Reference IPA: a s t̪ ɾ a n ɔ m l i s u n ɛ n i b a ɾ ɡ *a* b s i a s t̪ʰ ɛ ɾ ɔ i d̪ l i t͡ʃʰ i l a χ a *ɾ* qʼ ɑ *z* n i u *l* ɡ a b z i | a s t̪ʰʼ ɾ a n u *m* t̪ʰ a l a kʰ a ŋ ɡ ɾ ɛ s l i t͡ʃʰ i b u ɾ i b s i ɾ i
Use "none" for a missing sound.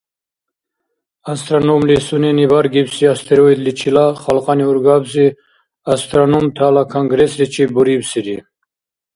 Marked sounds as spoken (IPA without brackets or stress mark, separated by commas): i, l, none, ɾ, m